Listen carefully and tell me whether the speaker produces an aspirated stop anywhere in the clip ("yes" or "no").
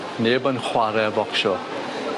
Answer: no